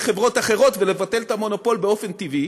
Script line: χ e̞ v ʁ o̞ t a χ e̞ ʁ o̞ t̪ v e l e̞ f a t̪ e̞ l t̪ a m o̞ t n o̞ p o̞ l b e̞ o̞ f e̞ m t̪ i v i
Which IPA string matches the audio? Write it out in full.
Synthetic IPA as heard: χ e̞ v ʁ o̞ t a χ e̞ ʁ o̞ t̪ v e l e̞ v a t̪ e̞ l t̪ a m o̞ n o̞ p o̞ l b e̞ o̞ f e̞ n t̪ i v i